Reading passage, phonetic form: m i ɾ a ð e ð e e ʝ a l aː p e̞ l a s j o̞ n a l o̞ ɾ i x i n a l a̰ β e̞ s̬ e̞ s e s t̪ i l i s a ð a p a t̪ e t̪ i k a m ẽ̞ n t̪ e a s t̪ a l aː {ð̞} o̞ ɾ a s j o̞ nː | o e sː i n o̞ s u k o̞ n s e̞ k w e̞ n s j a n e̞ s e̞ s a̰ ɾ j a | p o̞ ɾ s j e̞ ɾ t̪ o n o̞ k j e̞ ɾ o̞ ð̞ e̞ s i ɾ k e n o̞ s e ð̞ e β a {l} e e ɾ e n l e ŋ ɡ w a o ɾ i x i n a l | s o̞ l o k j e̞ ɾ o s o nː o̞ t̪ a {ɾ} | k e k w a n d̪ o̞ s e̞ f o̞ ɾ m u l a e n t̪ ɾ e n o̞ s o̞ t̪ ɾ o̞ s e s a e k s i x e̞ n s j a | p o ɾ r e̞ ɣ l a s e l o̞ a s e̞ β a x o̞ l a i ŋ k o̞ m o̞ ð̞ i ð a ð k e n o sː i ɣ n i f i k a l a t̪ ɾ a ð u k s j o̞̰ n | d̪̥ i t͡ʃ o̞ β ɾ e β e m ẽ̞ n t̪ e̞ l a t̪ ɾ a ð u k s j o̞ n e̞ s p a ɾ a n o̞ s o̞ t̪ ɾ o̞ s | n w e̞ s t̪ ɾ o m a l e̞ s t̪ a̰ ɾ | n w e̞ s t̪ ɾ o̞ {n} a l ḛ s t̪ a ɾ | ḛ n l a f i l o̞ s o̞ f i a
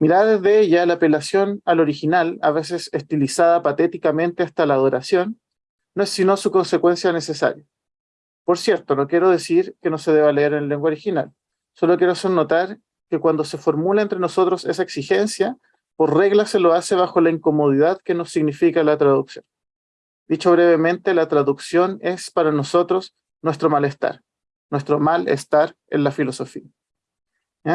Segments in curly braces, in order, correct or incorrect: correct, correct, correct, incorrect: m

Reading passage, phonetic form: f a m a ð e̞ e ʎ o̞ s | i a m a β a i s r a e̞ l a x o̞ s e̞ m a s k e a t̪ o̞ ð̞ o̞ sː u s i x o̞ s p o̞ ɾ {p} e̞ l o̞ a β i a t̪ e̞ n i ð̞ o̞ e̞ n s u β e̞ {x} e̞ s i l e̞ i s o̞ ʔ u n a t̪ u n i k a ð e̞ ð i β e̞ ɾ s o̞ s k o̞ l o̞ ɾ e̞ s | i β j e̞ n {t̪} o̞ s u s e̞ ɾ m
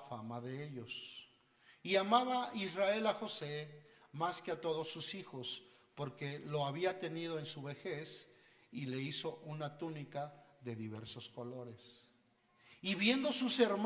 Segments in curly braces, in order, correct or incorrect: incorrect: k, correct, incorrect: d̪

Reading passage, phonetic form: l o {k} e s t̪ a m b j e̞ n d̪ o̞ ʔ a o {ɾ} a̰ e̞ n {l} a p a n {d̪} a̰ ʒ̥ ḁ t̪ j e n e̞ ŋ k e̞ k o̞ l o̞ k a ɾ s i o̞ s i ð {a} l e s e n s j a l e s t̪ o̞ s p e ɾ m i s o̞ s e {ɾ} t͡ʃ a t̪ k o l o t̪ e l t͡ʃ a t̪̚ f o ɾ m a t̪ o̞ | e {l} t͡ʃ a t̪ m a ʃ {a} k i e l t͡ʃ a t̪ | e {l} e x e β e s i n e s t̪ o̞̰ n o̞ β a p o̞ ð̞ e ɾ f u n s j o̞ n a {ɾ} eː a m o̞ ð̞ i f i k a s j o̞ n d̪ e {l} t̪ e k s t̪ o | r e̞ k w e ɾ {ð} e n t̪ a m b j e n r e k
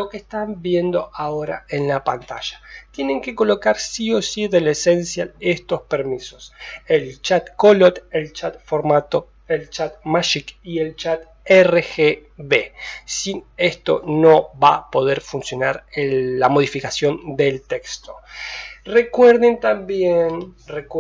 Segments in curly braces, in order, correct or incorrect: correct, correct, correct, incorrect: t̪, incorrect: e, incorrect: l, correct, incorrect: i, incorrect: r, correct, correct, correct

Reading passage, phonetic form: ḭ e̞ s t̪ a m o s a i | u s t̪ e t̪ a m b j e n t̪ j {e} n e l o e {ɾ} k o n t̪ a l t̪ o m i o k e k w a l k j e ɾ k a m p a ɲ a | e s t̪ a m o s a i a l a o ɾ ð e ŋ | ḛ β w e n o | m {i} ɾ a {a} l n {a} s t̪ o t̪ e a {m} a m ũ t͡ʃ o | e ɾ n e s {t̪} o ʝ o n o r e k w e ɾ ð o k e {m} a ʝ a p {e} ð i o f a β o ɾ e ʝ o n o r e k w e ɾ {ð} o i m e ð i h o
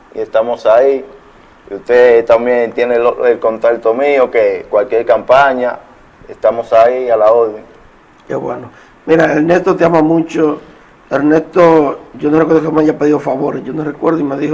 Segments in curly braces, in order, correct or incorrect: correct, incorrect: l, correct, incorrect: e, incorrect: e, correct, correct, correct, correct, correct

